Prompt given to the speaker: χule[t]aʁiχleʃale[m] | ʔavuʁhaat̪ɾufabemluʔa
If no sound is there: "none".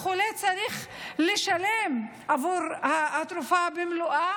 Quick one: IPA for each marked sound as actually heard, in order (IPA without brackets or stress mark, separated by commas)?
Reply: t͡s, m